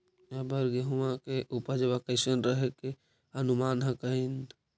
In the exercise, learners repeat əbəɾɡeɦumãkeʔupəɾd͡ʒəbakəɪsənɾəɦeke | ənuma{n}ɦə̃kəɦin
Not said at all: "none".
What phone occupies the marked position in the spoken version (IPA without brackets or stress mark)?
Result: n